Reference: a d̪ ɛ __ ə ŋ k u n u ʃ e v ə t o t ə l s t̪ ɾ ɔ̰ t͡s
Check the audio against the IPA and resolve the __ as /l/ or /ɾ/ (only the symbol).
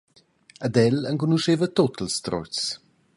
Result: l